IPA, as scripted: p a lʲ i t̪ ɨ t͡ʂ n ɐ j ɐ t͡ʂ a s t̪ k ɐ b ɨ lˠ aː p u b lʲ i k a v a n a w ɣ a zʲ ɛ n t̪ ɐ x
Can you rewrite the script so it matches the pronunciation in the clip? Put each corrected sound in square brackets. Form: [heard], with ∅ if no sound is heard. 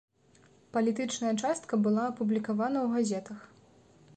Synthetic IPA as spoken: p [ɐ] lʲ i t̪ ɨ t͡ʂ n ɐ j ɐ t͡ʂ a s t̪ k ɐ b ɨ lˠ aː p u b lʲ i k a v a n [ɐ] w ɣ a zʲ ɛ [∅] t̪ ɐ x